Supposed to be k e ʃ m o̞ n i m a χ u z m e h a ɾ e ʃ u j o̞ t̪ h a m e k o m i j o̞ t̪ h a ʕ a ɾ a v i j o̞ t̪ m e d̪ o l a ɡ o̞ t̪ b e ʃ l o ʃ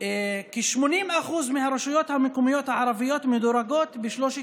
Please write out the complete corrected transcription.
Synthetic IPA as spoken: k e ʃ m o̞ n i m a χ u z m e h a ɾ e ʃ u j o̞ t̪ h a m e k o m i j o̞ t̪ h a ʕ a ɾ a v i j o̞ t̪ m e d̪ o ɾ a ɡ o̞ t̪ b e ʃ l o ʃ